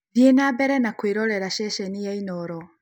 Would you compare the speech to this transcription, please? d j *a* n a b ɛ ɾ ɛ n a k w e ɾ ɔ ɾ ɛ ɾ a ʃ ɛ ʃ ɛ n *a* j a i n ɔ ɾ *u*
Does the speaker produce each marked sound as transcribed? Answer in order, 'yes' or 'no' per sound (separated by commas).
no, no, no